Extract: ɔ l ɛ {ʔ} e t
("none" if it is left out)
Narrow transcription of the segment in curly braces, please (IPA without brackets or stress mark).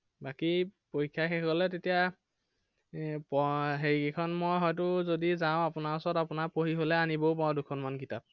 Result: t